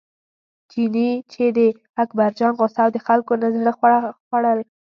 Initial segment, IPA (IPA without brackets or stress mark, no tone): d͡ʒ